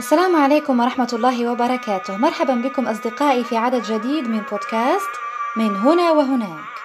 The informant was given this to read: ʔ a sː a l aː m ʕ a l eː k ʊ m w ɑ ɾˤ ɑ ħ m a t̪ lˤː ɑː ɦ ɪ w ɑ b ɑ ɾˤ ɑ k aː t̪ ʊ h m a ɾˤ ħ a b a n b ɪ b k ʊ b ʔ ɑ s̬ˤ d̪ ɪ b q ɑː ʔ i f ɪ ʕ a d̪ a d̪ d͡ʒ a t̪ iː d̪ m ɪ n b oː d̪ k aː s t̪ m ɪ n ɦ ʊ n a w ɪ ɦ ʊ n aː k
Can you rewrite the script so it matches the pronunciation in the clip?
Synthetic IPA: ʔ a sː a l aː m ʕ a l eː k ʊ m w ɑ ɾˤ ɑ ħ m a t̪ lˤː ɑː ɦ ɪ w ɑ b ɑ ɾˤ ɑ k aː t̪ ʊ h m ɑ ɾˤ ħ a b a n b ɪ k ʊ m ʔ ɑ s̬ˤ d̪ ɪ q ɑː ʔ i f i ʕ a d̪ a d̪ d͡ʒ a d̪ iː d̪ m ɪ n b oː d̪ k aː s t̪ m ɪ n ɦ ʊ n a w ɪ ɦ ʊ n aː k